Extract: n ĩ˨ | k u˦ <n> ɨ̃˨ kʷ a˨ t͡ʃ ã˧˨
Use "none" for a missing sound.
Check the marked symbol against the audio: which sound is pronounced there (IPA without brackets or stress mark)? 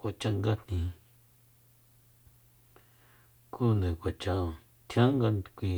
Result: n